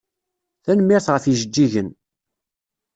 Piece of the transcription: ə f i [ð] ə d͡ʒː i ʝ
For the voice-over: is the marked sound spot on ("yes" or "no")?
no